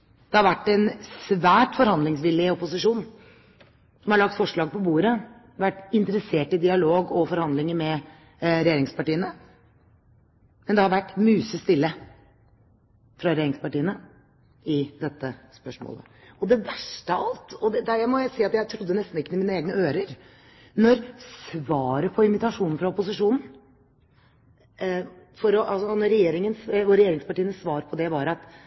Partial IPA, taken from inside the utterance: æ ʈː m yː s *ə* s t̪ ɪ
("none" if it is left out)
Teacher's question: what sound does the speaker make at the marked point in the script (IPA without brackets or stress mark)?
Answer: ə